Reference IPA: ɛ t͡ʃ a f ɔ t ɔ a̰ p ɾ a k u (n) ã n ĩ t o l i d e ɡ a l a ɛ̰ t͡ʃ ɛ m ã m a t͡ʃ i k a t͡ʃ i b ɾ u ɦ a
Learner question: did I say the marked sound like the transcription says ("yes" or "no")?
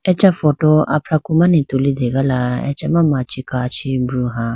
no